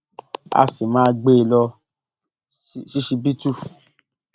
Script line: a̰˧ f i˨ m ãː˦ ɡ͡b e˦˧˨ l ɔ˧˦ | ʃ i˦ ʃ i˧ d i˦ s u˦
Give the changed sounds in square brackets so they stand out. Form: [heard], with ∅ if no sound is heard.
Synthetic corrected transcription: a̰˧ [s] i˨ m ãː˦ ɡ͡b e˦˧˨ l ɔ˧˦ | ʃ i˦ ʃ i˧ [b] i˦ [t] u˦

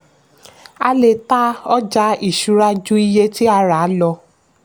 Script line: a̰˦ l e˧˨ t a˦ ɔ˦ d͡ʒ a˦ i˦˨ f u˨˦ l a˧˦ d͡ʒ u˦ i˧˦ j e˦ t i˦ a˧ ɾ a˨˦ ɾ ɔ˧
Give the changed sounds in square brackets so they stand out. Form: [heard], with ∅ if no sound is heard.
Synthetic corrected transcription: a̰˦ l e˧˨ t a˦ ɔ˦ d͡ʒ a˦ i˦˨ [ʃ] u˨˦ [ɾ] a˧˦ d͡ʒ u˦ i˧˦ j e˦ t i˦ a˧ ɾ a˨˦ [l] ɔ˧

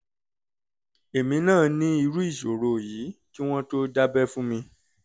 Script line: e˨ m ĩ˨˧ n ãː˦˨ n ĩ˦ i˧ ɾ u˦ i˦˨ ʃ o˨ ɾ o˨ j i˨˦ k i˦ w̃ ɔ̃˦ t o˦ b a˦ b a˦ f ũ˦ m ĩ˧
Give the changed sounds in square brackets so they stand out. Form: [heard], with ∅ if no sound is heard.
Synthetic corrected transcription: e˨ m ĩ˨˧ n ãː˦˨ n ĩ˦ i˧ ɾ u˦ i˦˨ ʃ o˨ ɾ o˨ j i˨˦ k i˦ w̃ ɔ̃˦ t o˦ [d] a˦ b [ɛ˦] f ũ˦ m ĩ˧

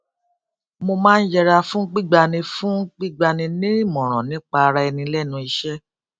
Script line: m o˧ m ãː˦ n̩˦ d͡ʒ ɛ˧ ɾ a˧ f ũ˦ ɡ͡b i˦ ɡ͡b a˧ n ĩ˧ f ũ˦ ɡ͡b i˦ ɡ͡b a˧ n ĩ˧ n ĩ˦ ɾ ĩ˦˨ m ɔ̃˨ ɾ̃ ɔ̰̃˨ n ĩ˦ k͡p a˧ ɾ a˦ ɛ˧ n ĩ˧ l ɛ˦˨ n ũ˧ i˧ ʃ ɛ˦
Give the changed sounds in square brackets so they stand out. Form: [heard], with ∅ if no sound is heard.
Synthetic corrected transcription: m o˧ m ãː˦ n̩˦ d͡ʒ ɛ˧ ɾ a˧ f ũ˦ ɡ͡b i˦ ɡ͡b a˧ n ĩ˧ f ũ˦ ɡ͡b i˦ ɡ͡b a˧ n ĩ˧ n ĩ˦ ɾ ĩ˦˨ m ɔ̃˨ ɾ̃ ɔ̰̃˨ n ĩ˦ k͡p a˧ ɾ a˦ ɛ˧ n ĩ˧ l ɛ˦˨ n ũ˧ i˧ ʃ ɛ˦

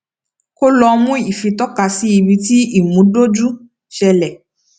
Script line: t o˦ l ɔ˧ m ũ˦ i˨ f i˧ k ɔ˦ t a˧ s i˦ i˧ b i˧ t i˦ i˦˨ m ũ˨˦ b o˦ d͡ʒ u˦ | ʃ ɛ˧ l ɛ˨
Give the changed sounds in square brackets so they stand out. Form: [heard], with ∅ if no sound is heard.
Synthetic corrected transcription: [k] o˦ l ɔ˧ m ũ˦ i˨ f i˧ [t] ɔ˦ [k] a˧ s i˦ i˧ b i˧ t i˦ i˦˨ m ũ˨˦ [d] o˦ d͡ʒ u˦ | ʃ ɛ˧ l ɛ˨

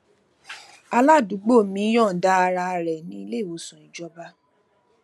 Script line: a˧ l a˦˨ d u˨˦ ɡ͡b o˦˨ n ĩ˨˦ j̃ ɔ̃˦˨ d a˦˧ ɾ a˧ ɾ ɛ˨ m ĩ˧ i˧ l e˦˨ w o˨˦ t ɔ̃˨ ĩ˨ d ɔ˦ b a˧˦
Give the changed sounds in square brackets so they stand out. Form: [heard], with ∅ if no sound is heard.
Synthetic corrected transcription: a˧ l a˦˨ d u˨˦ ɡ͡b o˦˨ [m] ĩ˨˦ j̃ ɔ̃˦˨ d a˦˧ ɾ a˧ ɾ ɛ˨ [n] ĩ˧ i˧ l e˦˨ w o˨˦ [s] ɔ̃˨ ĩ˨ [d͡ʒ] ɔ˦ b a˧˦

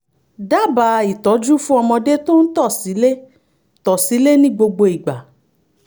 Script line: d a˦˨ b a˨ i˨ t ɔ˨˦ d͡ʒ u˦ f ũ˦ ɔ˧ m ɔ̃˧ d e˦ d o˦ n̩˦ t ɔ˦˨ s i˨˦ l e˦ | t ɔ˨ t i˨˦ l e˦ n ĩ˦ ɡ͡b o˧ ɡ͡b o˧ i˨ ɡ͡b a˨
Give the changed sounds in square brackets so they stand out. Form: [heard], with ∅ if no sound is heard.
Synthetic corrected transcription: d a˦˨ b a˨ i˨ t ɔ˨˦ d͡ʒ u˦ f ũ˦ ɔ˧ m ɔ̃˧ d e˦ [t] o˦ n̩˦ t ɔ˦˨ s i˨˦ l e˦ | t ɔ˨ [s] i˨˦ l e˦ n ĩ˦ ɡ͡b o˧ ɡ͡b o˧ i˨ ɡ͡b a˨

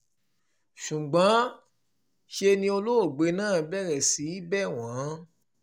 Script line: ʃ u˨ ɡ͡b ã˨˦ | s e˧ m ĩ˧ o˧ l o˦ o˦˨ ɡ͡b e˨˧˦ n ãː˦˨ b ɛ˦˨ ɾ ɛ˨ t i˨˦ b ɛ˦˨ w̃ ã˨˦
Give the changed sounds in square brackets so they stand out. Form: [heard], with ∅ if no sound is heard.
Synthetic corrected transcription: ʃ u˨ ɡ͡b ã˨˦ | [ʃ] e˧ [n] ĩ˧ o˧ l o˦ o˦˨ ɡ͡b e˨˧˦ n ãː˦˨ b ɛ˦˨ ɾ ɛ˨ [s] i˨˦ b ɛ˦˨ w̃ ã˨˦

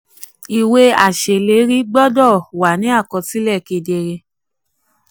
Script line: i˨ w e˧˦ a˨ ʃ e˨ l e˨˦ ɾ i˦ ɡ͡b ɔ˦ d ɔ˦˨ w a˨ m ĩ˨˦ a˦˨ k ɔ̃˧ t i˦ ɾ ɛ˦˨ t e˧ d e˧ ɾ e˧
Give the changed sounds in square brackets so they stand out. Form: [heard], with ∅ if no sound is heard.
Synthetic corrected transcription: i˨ w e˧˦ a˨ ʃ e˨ l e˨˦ ɾ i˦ ɡ͡b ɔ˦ d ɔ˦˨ w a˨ [n] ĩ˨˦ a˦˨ k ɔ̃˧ t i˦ [l] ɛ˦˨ [k] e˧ d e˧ ɾ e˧

